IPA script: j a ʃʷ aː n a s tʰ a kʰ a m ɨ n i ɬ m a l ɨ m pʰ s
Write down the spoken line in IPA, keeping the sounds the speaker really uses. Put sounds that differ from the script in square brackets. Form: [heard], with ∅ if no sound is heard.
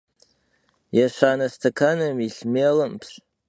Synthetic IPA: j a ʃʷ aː n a s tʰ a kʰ a [n] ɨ [m] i ɬ m [e] l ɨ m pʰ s